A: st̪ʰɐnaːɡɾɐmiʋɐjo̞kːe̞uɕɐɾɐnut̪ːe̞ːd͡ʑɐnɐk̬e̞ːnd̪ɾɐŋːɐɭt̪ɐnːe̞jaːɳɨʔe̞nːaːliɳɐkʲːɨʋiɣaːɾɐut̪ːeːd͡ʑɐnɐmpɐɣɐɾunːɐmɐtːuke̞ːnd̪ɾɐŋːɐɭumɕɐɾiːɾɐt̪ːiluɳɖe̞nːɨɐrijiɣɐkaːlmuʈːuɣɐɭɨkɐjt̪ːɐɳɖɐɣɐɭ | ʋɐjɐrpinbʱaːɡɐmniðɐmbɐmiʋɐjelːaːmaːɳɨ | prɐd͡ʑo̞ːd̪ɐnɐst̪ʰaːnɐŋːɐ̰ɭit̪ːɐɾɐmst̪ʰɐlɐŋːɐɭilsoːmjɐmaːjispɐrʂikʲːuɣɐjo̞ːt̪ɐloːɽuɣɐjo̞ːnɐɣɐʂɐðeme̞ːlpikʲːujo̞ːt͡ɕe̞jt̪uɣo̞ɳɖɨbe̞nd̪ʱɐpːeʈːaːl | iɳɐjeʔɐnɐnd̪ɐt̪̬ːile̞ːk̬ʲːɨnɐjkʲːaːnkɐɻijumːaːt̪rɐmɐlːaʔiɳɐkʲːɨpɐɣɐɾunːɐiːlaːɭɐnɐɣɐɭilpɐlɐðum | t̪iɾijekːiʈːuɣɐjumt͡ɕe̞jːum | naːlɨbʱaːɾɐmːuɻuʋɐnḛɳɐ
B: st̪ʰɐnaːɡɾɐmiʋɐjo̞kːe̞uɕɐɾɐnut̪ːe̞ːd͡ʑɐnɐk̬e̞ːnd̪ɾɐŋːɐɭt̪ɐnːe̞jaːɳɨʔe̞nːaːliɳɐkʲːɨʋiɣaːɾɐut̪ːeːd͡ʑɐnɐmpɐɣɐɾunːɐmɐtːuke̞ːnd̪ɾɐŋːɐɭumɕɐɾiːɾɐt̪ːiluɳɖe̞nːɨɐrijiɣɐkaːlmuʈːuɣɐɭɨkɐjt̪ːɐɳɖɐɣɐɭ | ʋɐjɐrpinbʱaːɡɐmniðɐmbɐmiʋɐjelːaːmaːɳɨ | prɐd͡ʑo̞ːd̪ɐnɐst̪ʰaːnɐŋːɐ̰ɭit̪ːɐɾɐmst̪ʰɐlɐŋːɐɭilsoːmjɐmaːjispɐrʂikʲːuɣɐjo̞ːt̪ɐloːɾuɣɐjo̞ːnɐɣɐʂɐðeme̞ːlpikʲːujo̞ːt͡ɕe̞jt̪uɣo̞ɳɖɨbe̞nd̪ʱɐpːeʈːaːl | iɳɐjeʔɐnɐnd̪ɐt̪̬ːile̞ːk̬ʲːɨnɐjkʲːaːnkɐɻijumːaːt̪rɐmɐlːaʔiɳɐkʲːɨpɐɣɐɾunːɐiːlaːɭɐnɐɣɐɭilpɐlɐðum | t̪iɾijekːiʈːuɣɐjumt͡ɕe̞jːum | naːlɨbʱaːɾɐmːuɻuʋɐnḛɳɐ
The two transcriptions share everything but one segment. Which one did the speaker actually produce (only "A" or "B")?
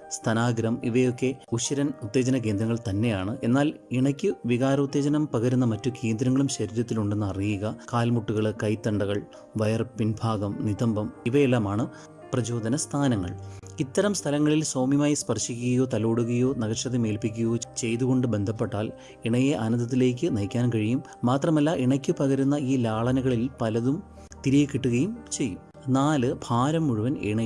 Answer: A